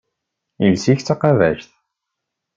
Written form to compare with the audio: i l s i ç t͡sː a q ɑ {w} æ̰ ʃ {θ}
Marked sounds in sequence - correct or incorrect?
incorrect: v, correct

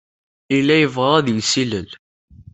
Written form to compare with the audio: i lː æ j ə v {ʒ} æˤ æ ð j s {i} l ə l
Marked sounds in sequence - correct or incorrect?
incorrect: ʁ, correct

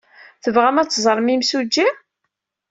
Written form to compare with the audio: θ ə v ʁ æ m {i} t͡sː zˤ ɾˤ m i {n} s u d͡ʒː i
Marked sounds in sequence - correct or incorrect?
incorrect: æ, incorrect: m

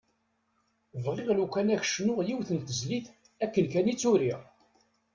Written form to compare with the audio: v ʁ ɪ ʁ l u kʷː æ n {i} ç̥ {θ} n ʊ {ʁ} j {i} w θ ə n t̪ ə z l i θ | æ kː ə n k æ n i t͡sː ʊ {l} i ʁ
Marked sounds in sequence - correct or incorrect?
incorrect: æ, incorrect: ʃ, correct, correct, incorrect: ɾ

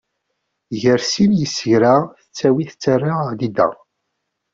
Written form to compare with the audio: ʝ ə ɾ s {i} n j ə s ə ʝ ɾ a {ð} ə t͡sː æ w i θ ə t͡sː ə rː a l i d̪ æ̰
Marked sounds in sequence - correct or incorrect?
correct, incorrect: θ

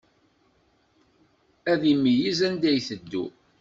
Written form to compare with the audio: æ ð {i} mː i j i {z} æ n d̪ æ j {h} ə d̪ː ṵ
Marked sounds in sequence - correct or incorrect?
correct, correct, incorrect: θ

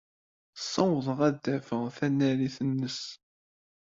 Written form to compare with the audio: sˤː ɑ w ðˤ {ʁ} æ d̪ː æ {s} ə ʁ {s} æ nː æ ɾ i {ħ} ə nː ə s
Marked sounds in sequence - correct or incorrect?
correct, incorrect: f, incorrect: θ, incorrect: θ

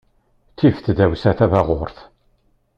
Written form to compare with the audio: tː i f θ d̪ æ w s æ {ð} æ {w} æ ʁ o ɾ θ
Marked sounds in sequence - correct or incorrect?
incorrect: θ, incorrect: v

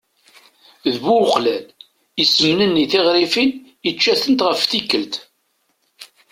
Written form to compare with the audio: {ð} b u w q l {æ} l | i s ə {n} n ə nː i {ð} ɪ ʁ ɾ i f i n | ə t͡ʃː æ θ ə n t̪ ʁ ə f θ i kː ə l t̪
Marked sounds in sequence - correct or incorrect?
correct, correct, incorrect: m, incorrect: θ

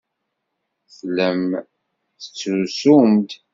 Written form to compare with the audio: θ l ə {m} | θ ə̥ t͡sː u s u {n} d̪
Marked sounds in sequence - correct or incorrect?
correct, incorrect: m

